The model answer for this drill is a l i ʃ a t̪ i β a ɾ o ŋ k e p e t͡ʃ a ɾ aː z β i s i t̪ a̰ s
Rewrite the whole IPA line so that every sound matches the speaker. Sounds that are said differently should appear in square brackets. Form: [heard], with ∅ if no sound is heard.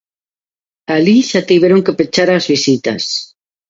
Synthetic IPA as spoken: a l i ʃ a t̪ i β [e] ɾ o ŋ k e p e t͡ʃ a ɾ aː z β i s i t̪ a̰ s